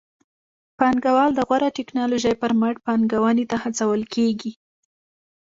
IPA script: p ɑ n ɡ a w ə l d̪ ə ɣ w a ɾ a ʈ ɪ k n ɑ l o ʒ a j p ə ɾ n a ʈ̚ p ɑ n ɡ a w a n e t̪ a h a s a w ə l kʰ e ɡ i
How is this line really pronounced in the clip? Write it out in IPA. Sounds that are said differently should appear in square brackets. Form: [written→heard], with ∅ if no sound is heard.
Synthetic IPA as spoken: p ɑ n ɡ a w [ə→ɑ] l d̪ ə ɣ w a ɾ a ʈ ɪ k n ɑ l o ʒ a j p ə ɾ [n→m] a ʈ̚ p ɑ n ɡ a w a n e t̪ a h a [s→t͡s] a w ə l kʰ e ɡ i